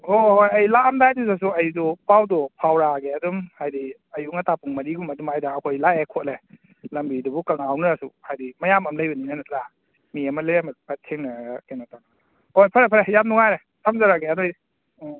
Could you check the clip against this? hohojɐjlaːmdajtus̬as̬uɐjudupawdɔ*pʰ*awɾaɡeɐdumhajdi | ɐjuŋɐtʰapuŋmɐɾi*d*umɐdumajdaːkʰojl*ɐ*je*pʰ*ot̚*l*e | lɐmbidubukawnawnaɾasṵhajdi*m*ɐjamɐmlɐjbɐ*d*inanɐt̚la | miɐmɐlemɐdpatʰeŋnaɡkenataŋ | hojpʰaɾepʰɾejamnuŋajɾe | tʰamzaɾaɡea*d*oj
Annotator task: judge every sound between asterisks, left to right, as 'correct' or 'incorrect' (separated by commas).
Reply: correct, incorrect, incorrect, incorrect, correct, correct, incorrect, correct